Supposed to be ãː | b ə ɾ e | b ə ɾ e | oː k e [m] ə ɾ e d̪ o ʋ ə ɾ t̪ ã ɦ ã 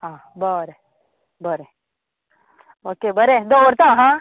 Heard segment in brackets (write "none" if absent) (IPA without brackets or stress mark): b